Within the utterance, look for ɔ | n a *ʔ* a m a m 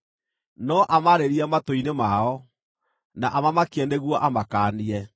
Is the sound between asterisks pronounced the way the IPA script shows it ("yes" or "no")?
yes